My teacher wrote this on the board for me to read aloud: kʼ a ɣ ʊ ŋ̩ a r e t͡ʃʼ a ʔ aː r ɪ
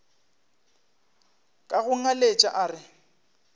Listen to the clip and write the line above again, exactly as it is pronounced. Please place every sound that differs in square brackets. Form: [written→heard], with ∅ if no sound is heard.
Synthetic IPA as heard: kʼ a ɣ ʊ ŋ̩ a [r→l] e t͡ʃʼ a ʔ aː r ɪ